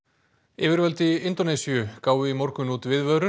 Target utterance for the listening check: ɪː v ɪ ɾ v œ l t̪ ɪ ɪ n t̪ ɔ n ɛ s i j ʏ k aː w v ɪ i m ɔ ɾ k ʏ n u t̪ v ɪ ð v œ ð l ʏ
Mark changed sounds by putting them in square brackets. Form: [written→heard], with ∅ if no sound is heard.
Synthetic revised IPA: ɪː v ɪ ɾ v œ l t̪ ɪ ɪ n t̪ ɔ n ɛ s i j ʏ k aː w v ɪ i m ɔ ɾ k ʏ n u t̪ v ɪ ð v œ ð [l→ɾ] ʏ